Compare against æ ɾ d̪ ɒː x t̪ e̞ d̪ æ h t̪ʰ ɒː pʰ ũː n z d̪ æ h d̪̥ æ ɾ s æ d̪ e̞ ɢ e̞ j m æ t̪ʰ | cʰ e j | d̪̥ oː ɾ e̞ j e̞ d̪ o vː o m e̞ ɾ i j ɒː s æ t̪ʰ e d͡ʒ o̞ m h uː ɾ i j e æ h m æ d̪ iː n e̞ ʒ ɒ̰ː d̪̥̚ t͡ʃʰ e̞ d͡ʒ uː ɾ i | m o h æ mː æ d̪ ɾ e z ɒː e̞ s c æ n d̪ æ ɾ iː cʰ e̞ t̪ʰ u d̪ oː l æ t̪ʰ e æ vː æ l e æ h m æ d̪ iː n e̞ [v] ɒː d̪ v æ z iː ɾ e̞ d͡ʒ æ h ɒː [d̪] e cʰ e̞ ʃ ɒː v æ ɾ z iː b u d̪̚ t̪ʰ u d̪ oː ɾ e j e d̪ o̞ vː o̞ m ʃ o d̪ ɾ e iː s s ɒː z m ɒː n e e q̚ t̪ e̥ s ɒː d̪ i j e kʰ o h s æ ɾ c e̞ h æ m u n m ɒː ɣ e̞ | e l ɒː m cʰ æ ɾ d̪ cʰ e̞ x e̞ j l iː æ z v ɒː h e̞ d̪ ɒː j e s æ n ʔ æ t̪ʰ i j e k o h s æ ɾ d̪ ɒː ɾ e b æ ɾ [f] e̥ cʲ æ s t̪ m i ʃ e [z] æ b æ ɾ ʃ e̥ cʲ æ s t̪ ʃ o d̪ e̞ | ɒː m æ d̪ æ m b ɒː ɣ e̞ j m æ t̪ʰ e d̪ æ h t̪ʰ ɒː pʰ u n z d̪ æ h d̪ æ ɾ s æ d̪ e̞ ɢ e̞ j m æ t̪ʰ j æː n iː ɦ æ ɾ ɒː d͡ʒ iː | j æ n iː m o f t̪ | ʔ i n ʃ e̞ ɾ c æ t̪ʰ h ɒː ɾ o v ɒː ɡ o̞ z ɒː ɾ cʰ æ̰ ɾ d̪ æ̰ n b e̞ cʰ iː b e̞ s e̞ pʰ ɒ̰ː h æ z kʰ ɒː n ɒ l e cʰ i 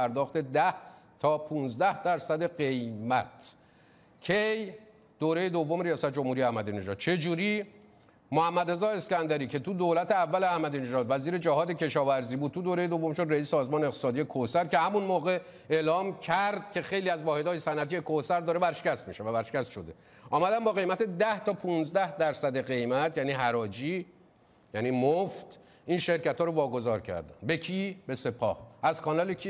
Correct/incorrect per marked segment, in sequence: incorrect: ʒ, correct, incorrect: ʃ, incorrect: v

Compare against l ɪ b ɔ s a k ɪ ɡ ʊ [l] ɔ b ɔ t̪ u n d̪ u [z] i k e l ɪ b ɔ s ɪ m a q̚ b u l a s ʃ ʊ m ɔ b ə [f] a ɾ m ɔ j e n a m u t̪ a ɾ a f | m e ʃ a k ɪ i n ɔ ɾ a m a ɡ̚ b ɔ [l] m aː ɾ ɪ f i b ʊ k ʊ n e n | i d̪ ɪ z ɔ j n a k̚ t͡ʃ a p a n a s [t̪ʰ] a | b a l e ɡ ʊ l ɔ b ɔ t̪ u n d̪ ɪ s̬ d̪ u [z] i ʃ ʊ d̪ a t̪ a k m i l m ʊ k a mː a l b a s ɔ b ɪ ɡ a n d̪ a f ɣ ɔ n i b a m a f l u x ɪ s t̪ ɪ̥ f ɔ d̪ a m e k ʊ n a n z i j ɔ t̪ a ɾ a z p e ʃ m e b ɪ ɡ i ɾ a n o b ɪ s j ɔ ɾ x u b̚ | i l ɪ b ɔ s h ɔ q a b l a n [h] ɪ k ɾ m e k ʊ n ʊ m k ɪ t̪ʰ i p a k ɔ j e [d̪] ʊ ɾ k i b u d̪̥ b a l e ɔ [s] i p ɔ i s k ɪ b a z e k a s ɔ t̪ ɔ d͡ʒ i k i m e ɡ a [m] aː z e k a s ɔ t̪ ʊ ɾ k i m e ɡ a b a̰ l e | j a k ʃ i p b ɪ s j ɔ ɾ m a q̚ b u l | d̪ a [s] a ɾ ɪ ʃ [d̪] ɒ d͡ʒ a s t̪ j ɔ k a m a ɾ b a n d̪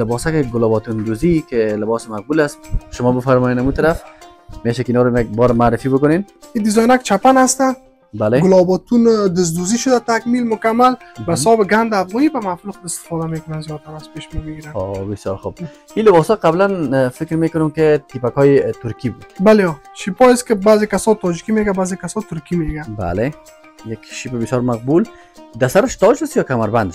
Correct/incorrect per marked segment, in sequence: correct, correct, correct, incorrect: ɾ, incorrect: t̪, correct, incorrect: f, incorrect: t̪, incorrect: ʃ, incorrect: b, correct, incorrect: t̪

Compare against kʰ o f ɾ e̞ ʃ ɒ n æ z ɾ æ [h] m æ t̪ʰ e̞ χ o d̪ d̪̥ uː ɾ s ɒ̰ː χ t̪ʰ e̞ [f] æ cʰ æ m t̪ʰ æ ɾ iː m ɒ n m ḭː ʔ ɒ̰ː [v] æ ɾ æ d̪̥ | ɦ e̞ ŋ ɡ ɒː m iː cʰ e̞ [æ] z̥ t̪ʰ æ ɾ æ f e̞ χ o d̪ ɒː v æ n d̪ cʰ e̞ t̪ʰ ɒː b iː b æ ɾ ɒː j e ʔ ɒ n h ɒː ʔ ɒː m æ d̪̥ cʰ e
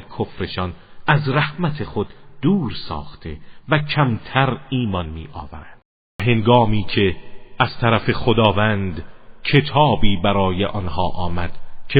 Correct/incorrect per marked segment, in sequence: correct, incorrect: v, correct, correct

